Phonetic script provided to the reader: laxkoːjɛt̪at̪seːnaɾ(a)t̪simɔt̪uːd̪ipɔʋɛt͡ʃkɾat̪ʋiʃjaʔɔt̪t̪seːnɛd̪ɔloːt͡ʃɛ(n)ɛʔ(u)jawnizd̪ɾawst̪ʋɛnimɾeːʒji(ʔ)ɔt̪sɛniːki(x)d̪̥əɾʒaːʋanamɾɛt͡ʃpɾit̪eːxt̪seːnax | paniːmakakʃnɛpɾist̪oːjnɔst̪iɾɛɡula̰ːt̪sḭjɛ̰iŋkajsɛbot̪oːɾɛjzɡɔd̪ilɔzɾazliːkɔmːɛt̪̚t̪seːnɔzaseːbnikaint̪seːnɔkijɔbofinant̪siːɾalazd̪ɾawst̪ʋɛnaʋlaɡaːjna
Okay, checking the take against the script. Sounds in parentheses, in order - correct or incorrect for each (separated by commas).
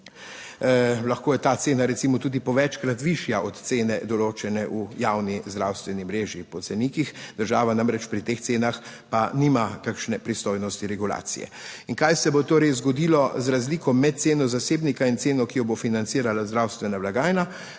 incorrect, correct, correct, incorrect, correct